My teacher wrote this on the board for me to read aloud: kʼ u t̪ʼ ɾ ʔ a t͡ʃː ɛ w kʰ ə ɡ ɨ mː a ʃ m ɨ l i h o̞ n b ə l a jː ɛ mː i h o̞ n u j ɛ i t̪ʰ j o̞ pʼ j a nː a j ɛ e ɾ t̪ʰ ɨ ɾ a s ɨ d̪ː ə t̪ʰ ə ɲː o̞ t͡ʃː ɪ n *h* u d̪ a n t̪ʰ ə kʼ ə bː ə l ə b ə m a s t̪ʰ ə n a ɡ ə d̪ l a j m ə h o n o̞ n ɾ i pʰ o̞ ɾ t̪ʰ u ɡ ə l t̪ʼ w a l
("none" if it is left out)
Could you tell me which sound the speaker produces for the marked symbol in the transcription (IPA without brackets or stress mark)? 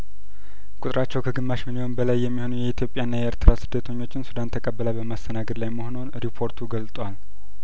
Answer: s